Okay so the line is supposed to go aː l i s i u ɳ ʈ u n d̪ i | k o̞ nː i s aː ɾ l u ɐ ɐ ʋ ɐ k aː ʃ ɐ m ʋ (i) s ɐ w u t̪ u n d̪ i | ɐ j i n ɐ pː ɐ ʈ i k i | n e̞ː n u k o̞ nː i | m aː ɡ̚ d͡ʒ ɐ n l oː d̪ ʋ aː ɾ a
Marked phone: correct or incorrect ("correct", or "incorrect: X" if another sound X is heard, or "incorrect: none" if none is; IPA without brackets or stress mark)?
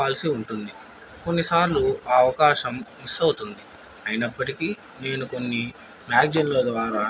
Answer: correct